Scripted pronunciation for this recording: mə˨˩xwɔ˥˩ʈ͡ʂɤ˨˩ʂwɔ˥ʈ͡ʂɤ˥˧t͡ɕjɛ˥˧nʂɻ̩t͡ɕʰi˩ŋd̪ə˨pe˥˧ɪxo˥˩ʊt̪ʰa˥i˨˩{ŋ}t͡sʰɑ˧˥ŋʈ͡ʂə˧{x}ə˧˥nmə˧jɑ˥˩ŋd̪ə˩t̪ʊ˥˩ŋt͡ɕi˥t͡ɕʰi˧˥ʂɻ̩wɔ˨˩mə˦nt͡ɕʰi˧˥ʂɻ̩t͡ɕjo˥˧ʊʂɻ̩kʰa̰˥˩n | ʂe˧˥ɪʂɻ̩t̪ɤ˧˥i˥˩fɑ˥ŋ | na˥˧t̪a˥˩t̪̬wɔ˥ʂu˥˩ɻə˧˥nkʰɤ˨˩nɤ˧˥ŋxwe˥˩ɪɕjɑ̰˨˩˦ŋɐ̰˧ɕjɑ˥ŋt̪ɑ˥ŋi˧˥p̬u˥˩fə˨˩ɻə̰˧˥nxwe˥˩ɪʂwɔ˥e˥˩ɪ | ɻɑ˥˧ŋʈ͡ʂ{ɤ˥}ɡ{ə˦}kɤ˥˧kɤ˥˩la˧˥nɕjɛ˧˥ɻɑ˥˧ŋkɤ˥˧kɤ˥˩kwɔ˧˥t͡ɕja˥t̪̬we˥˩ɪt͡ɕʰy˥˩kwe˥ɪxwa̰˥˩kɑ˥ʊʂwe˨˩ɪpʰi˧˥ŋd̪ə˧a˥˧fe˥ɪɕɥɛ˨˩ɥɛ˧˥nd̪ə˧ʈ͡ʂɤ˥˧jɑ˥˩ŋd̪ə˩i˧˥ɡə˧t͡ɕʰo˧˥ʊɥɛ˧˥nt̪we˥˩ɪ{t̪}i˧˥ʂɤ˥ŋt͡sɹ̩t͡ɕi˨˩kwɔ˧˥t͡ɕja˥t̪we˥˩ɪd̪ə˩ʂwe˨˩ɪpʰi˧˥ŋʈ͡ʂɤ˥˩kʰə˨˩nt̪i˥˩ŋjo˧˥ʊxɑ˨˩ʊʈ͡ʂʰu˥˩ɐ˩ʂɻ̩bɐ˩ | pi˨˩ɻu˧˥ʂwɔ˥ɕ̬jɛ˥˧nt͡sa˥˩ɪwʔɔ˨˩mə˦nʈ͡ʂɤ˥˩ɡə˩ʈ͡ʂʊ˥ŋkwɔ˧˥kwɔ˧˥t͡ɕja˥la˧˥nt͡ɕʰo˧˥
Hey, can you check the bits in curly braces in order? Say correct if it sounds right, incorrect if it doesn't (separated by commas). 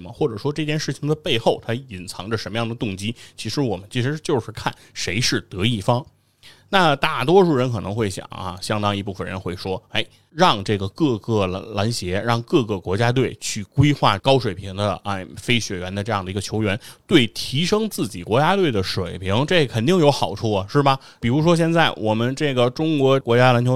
incorrect, incorrect, incorrect, incorrect, incorrect